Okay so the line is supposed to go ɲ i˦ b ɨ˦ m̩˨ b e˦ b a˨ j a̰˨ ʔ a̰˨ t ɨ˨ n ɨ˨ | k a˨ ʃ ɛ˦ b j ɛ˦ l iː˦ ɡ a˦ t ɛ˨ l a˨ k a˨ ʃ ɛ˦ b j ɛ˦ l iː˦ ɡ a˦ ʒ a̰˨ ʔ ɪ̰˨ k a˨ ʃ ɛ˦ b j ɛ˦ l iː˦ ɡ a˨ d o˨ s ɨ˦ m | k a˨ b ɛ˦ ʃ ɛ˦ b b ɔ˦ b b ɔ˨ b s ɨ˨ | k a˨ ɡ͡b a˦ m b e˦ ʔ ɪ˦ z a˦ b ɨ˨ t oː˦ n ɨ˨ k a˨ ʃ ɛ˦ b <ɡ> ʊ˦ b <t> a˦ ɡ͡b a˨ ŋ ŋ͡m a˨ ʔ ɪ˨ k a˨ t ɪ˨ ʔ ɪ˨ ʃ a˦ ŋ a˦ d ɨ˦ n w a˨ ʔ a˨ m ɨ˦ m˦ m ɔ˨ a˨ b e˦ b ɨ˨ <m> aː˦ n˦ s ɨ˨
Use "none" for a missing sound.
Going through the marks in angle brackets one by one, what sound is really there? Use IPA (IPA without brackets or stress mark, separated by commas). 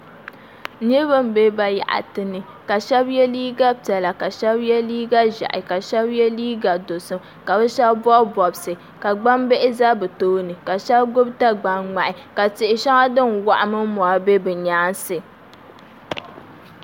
ɡ, t, ɲ